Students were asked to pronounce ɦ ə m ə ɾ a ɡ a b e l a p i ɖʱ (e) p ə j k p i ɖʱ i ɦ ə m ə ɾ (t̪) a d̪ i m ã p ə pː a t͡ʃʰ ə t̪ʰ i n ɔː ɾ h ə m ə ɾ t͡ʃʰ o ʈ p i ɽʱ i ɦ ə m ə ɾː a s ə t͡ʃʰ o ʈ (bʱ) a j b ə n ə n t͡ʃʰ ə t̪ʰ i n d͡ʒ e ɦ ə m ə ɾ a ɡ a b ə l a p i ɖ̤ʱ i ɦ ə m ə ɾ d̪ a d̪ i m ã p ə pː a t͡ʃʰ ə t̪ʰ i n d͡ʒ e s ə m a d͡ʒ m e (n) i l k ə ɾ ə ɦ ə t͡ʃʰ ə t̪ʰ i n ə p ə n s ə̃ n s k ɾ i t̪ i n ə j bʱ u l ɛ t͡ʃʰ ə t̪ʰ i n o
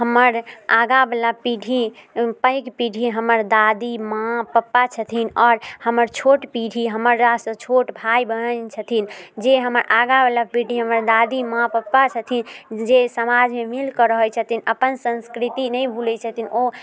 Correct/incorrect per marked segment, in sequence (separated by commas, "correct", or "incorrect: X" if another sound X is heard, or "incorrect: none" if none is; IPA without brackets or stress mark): incorrect: i, incorrect: d̪, correct, incorrect: m